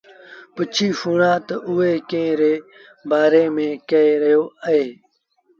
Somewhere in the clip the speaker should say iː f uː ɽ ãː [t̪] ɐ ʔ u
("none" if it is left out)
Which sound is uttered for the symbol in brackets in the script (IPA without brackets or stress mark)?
t̪